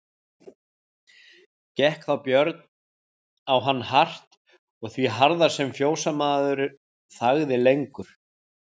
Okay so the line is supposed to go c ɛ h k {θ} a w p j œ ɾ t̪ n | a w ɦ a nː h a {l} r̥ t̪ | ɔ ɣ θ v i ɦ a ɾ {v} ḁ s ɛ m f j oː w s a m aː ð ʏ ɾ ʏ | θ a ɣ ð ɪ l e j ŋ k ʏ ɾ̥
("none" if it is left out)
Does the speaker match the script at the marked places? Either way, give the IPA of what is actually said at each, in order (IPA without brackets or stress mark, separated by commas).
θ, none, ð